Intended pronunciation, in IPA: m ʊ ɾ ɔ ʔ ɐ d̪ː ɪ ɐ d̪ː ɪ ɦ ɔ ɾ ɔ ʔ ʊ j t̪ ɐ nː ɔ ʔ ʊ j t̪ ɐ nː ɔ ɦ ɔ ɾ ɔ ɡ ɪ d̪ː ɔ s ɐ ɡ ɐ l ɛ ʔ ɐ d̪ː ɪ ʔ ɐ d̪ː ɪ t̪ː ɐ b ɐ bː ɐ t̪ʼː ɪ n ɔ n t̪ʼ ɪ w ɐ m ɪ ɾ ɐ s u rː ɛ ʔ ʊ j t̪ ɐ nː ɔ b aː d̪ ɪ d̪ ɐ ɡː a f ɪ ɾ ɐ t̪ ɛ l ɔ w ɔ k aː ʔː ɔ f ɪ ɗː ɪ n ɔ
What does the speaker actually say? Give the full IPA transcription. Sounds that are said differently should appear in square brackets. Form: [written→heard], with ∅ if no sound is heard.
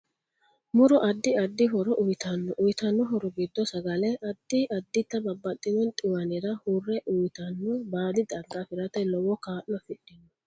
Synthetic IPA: m ʊ ɾ ɔ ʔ ɐ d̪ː ɪ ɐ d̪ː ɪ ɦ ɔ ɾ ɔ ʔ ʊ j t̪ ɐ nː ɔ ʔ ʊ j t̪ ɐ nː ɔ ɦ ɔ ɾ ɔ ɡ ɪ d̪ː ɔ s ɐ ɡ ɐ l ɛ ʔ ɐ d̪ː ɪ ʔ ɐ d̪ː ɪ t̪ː ɐ b ɐ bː ɐ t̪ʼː ɪ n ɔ n t̪ʼ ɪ w ɐ [m→n] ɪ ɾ ɐ [s→h] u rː ɛ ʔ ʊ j t̪ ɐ nː ɔ b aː d̪ ɪ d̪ ɐ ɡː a f ɪ ɾ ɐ t̪ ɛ l ɔ w ɔ k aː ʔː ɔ f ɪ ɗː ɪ n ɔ